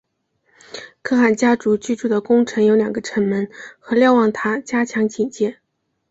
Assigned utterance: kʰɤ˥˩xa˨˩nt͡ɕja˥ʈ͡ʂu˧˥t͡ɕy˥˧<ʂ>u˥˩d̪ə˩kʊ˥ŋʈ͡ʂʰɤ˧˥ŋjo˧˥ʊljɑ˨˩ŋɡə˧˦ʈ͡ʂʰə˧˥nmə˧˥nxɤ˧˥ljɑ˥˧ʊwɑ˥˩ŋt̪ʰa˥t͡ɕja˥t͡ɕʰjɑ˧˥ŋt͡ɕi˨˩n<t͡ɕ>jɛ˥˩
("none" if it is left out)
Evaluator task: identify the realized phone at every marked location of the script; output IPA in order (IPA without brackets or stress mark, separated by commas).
ʈ͡ʂ, t͡ɕ